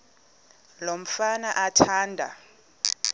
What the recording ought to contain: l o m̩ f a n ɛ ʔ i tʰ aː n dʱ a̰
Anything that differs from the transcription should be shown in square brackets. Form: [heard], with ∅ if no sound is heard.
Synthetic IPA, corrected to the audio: l o m̩ f a n [a] ʔ [a] tʰ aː n dʱ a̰